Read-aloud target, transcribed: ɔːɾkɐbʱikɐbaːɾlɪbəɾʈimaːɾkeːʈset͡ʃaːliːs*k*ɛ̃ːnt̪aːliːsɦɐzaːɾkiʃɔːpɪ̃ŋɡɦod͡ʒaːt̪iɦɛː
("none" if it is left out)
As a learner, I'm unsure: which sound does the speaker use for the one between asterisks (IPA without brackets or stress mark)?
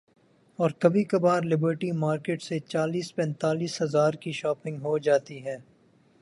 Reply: p